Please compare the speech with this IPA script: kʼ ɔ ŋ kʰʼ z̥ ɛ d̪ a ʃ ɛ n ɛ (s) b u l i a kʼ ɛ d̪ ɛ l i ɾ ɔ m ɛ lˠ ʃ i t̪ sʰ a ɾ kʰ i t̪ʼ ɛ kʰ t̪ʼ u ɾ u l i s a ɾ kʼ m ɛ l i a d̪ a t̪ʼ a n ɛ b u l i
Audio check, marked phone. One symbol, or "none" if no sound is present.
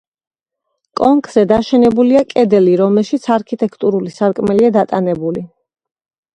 none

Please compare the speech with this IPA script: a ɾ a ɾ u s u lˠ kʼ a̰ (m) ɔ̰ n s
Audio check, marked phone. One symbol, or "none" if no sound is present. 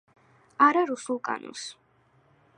n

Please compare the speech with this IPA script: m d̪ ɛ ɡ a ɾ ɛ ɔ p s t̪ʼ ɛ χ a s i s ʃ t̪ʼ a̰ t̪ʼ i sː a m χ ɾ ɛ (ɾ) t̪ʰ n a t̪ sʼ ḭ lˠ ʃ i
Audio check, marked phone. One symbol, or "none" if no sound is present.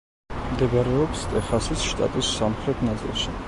none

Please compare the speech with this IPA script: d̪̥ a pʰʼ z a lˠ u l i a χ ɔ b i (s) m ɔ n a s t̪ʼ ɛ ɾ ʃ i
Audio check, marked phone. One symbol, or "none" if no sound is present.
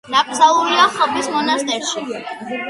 s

